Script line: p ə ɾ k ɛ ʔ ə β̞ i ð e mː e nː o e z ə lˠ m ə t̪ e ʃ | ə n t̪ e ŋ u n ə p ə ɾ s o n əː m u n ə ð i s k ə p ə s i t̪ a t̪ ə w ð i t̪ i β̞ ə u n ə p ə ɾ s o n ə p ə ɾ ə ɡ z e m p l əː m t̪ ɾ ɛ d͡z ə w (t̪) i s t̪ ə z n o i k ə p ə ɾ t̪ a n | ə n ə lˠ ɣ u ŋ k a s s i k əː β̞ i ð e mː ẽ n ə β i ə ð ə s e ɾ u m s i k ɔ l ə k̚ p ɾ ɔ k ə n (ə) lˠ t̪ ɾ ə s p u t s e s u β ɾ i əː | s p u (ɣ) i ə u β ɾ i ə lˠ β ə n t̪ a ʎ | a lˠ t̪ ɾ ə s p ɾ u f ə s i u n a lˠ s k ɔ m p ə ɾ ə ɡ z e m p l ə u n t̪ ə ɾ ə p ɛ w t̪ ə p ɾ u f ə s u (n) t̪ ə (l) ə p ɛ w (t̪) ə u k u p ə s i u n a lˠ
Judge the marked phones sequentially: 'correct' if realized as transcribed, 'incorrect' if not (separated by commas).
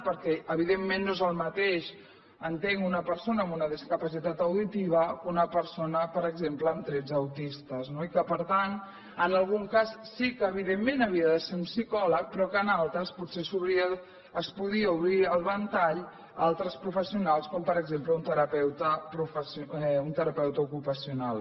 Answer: correct, incorrect, incorrect, correct, incorrect, correct